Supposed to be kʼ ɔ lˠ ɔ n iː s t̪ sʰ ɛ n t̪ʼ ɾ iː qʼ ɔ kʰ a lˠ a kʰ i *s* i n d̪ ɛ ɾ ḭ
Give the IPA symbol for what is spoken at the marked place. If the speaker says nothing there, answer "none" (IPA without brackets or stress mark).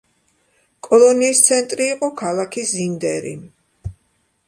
z